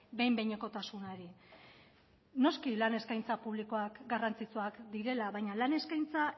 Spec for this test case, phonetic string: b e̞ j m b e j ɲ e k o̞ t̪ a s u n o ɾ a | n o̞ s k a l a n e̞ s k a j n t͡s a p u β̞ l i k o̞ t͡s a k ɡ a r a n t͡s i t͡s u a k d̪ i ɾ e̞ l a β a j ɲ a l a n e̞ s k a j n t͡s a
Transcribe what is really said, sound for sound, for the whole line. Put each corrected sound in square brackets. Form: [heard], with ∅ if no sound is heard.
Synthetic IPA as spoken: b e̞ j m b e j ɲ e k o̞ t̪ a s u n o ɾ [i] | n o̞ s k [i] l a n e̞ s k a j n t͡s a p u β̞ l i k o̞ [∅] a k ɡ a r a n t͡s i t͡s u a k d̪ i ɾ e̞ l a β a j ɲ a l a n e̞ s k a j n t͡s a